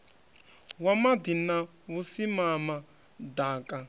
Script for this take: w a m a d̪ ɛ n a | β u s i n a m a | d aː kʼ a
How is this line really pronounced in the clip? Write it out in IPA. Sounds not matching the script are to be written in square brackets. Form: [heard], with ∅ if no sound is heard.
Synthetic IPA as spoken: w a m a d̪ [i] n a | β u s i [m] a m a | d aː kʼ a